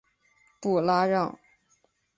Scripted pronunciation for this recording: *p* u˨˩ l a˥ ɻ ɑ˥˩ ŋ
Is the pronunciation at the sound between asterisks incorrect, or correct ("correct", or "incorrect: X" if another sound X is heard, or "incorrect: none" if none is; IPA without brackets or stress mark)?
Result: correct